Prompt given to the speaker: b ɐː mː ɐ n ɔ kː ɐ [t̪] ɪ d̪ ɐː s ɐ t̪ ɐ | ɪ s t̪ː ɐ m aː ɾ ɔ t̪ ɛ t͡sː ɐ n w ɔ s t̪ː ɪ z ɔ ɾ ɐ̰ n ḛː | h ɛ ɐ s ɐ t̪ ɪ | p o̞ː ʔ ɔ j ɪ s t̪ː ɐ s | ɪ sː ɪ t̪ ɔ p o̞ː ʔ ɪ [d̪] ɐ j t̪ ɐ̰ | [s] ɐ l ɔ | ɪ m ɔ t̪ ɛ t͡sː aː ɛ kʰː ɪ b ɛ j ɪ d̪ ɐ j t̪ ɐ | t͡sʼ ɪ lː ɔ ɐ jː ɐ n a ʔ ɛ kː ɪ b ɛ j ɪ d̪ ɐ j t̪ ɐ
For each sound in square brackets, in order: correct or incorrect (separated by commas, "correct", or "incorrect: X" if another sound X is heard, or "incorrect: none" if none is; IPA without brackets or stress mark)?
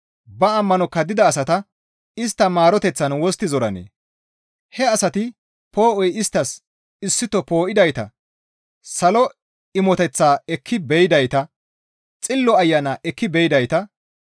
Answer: incorrect: d̪, correct, correct